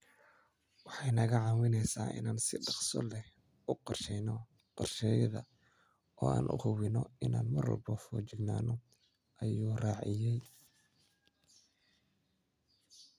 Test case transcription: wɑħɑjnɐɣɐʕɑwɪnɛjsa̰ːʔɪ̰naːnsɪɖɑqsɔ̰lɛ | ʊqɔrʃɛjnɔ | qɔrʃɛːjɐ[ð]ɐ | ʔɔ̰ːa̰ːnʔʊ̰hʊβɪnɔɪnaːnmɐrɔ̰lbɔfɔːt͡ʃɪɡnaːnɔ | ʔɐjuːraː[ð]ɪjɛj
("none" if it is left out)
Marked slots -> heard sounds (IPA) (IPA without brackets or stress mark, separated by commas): ð, ʕ